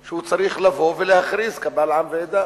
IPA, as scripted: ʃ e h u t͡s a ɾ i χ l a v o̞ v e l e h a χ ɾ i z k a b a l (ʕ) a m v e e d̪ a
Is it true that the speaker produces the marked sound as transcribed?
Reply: yes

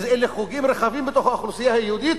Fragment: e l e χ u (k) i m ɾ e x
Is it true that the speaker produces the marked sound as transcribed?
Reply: no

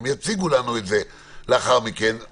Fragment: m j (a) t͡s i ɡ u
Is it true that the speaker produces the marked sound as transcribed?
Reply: yes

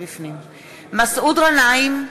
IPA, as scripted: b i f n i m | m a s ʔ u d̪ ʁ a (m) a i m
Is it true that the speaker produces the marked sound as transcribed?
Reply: no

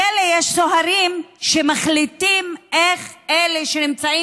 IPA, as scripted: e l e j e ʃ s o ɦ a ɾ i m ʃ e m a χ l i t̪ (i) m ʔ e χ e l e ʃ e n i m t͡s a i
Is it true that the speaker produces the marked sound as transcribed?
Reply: yes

